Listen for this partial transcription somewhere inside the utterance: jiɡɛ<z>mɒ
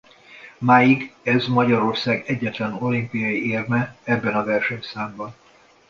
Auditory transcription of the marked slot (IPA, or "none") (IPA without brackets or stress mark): z